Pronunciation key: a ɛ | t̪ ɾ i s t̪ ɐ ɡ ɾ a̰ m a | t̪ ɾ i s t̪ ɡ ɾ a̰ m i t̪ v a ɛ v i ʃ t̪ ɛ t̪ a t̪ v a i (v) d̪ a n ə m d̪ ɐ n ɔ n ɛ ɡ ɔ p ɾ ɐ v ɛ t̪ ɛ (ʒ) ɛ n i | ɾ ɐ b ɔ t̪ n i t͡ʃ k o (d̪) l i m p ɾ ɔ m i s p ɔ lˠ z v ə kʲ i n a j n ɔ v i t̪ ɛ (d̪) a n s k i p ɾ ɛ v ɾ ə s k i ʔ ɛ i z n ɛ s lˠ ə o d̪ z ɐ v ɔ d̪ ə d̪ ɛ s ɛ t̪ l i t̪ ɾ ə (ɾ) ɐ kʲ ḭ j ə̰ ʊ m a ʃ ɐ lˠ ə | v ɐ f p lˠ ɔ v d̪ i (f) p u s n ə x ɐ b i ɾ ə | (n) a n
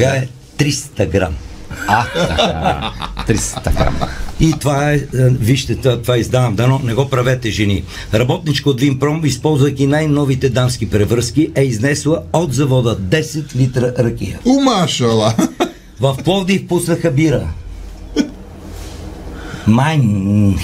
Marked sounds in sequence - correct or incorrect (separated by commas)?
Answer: incorrect, correct, correct, correct, correct, correct, incorrect